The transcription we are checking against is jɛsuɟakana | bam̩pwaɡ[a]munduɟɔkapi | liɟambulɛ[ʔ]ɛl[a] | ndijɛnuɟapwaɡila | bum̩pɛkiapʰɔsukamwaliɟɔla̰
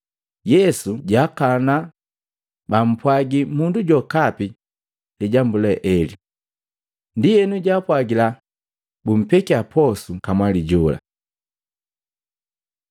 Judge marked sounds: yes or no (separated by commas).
no, yes, no